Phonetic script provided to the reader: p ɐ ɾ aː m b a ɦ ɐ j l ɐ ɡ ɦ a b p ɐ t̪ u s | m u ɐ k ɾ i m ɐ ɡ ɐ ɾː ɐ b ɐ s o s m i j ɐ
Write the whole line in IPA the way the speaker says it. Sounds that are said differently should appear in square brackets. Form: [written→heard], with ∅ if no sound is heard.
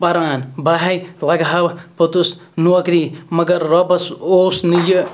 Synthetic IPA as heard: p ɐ ɾ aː [m→n] b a ɦ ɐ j l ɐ ɡ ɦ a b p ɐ t̪ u s | [m→n] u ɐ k ɾ i m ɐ ɡ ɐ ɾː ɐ b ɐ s o s [m→n] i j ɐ